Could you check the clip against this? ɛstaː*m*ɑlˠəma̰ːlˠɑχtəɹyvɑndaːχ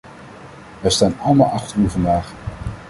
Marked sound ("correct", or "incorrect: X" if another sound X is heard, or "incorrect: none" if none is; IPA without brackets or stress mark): incorrect: n